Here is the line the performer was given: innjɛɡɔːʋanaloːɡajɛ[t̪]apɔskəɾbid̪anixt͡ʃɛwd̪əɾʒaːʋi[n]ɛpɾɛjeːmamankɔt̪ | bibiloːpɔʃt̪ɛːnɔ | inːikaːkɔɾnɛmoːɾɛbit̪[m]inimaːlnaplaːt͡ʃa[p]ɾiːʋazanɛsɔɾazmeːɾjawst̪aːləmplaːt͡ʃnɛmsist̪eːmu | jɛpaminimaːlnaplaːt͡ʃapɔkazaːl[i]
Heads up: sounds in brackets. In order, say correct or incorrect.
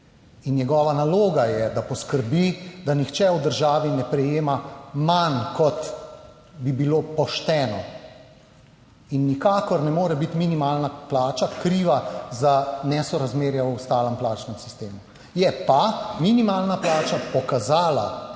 incorrect: d̪, correct, correct, incorrect: k, incorrect: a

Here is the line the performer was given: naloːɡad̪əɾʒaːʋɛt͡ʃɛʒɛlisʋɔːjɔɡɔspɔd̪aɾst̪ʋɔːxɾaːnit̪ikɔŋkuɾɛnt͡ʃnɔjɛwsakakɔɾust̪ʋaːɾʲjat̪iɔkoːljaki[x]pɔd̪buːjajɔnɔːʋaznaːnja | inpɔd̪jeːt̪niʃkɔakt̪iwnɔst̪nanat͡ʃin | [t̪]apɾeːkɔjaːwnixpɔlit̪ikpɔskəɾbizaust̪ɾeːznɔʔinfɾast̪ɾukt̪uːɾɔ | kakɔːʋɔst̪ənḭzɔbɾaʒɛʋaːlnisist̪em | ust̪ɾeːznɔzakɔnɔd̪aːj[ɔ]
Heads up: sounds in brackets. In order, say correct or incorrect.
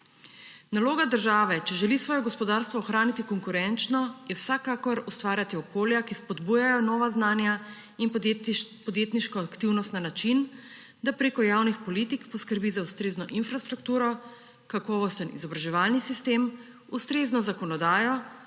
incorrect: s, incorrect: d̪, correct

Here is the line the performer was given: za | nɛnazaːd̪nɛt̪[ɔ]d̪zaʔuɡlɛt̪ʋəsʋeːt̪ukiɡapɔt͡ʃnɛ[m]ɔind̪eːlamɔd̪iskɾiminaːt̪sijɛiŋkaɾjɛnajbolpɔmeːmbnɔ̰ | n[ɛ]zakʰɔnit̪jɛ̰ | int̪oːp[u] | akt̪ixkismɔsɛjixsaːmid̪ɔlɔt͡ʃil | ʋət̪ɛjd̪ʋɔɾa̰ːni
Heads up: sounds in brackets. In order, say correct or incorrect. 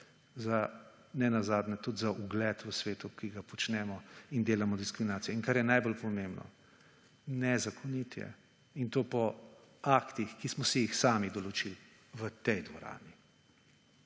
incorrect: u, correct, correct, incorrect: ɔ

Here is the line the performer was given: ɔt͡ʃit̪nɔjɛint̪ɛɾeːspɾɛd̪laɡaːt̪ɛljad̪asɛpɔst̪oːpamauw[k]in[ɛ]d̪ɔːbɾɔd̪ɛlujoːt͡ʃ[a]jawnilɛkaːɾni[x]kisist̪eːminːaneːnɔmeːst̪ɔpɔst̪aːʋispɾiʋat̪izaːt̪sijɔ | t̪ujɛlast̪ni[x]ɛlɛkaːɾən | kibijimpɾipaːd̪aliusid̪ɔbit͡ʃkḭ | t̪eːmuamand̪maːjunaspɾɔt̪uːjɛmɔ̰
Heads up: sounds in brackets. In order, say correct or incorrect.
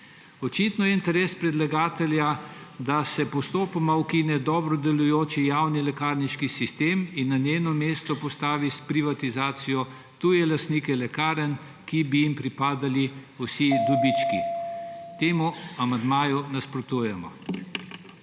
correct, correct, incorrect: i, incorrect: ʃ, incorrect: k

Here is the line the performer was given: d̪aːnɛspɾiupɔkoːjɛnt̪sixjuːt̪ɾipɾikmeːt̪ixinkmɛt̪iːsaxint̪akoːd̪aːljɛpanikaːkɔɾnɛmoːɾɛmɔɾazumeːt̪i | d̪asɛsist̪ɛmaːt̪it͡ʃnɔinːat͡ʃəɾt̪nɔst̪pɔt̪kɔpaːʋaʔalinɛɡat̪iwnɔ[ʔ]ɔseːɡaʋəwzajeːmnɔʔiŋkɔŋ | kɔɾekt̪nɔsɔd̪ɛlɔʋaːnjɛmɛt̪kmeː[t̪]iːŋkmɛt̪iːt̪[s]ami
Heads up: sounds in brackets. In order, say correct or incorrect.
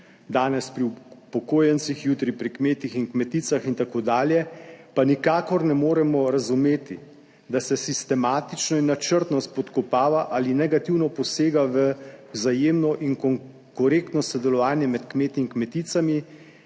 incorrect: p, correct, correct

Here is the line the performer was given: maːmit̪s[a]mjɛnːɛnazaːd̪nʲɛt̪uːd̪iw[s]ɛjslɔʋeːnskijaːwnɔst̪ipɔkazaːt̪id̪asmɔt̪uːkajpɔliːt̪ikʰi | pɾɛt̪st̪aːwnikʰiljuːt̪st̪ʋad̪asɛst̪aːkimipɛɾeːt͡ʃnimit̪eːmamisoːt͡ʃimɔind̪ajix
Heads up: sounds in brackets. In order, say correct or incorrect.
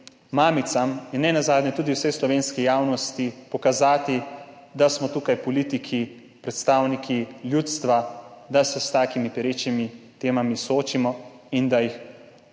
correct, correct

